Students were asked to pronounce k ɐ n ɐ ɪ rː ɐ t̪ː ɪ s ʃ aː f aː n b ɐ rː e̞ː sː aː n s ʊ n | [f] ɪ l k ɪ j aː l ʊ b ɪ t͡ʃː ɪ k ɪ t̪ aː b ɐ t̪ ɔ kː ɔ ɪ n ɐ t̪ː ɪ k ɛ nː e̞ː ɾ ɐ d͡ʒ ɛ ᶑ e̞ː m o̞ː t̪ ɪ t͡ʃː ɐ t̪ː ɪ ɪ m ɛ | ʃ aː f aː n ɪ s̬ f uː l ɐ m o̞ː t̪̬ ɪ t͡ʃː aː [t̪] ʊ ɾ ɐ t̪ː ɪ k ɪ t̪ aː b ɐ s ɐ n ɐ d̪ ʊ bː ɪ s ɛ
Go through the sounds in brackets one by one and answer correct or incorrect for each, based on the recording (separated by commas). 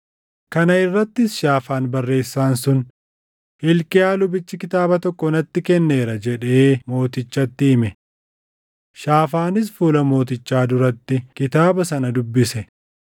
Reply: incorrect, incorrect